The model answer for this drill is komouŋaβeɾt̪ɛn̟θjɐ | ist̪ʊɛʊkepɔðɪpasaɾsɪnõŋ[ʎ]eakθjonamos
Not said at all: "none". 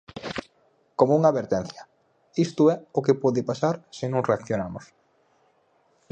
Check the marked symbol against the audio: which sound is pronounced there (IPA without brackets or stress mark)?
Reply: r